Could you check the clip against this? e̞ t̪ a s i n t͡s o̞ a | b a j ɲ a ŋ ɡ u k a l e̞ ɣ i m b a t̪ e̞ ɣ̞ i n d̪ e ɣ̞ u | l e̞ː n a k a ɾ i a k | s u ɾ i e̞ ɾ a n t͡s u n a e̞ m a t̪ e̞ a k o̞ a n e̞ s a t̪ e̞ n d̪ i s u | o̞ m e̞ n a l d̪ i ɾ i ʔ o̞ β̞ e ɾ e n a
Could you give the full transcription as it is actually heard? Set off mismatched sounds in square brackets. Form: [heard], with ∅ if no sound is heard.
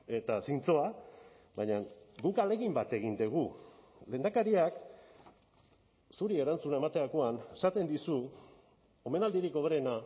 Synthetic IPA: e̞ t̪ a s i n t͡s o̞ a | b a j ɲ a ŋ ɡ u k a l e̞ ɣ i m b a t̪ e̞ ɣ̞ i n d̪ e ɣ̞ u | l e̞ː n a k a ɾ i a k | s u ɾ i e̞ ɾ a n t͡s u n a e̞ m a t̪ e̞ a k o̞ a n e̞ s a t̪ e̞ n d̪ i s u | o̞ m e̞ n a l d̪ i ɾ i [k] o̞ β̞ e ɾ e n a